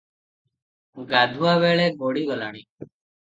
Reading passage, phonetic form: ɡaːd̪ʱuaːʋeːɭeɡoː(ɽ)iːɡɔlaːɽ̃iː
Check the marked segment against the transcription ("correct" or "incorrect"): correct